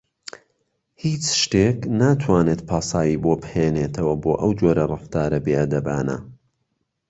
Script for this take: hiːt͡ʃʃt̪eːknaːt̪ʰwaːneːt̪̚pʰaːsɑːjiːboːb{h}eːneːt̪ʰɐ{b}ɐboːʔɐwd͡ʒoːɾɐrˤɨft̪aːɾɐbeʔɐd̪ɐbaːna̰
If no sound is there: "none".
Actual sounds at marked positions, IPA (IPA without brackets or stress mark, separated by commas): h, w